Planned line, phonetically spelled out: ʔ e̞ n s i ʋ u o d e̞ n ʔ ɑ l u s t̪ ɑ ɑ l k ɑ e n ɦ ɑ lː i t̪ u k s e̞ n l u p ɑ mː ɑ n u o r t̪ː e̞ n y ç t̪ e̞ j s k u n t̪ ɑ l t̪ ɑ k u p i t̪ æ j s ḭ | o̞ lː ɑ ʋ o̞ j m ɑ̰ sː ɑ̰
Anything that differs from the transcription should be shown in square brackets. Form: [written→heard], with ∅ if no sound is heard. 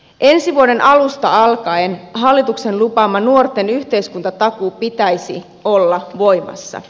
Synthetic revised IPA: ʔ e̞ n s i ʋ u o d e̞ n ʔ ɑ l u s t̪ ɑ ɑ l k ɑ e n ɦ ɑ lː i t̪ u k s e̞ n l u p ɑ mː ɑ n u o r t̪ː e̞ n y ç t̪ e̞ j s k u n t̪ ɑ [l→∅] t̪ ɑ k u p i t̪ æ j s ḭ | o̞ lː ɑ ʋ o̞ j m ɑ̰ sː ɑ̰

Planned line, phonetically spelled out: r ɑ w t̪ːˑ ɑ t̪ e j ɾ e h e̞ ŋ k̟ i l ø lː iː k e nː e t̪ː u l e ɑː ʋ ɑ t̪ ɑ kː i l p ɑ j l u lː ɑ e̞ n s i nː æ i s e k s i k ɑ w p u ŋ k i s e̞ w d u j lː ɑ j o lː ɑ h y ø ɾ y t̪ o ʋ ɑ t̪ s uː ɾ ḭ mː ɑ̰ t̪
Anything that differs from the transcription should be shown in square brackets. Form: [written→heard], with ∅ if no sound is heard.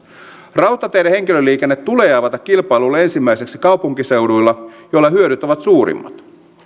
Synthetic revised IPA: r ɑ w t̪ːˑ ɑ t̪ e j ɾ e h e̞ ŋ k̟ i l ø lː iː k e nː e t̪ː u l e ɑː ʋ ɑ t̪ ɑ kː i l p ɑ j l u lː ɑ e̞ n s i [nː→mː] æ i s e k s i k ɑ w p u ŋ k i s e̞ w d u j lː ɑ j o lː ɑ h y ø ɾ y t̪ o ʋ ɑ t̪ s uː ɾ ḭ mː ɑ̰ t̪

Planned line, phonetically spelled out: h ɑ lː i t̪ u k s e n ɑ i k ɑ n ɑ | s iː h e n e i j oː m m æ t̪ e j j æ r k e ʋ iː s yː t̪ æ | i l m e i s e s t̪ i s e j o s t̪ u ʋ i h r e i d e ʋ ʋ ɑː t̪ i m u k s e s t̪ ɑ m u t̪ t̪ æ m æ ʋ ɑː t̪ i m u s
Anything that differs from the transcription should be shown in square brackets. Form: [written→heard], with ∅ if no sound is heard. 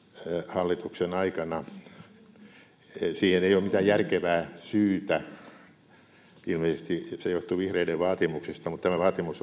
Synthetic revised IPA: h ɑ lː i t̪ u k s e n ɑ i k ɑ n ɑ | s iː h e n e i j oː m m [æ→i] t̪ [e→æ] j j æ r k e ʋ [iː→æː] s yː t̪ æ | i l m e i s e s t̪ i s e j o [s→h] t̪ u ʋ i h r e i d e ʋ ʋ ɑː t̪ i m u k s e s t̪ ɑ m u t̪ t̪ æ m æ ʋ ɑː t̪ i m u s

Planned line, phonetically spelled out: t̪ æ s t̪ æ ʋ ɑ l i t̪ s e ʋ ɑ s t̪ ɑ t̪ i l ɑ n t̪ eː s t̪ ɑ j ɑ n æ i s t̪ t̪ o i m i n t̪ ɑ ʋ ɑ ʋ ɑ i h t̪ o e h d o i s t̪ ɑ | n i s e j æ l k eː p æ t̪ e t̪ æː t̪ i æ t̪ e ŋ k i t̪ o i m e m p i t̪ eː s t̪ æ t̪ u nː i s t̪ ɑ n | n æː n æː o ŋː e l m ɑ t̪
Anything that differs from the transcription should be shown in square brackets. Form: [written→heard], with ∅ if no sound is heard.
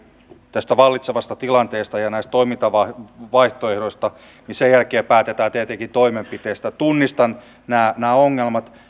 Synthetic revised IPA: t̪ æ s t̪ æ ʋ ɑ [l→lː] i t̪ s e ʋ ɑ s t̪ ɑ t̪ i l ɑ n t̪ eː s t̪ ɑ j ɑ n æ i s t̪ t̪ o i m i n t̪ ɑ ʋ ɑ ʋ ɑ i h t̪ o e h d o i s t̪ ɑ | n i s e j æ l k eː p [æ→æː] t̪ e t̪ æː t̪ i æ t̪ e ŋ k i t̪ o i m e m p i t̪ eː s t̪ æ t̪ u nː i s t̪ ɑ n | n æː n æː o ŋː e l m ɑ t̪

